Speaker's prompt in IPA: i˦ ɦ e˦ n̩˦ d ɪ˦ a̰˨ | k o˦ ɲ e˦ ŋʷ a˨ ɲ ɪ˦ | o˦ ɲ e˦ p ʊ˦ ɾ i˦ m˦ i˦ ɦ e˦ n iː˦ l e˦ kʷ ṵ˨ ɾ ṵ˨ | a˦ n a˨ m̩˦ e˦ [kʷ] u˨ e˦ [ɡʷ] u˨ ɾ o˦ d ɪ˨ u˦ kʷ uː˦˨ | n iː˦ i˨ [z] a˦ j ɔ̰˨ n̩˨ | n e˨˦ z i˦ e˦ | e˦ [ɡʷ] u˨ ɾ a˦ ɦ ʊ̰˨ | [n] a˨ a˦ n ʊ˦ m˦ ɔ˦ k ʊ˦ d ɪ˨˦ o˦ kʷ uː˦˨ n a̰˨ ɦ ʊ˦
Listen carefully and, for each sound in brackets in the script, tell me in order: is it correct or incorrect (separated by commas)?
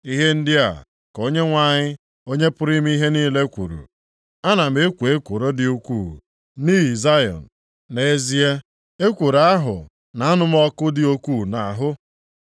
correct, incorrect, correct, incorrect, correct